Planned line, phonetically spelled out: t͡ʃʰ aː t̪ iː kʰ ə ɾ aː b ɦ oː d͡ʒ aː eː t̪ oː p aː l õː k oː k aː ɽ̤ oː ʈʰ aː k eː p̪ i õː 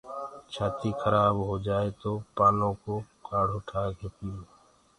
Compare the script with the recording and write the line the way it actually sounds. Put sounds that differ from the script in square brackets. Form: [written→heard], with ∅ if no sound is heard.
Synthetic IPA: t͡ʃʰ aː t̪ iː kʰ ə ɾ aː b ɦ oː d͡ʒ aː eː t̪ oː p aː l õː k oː k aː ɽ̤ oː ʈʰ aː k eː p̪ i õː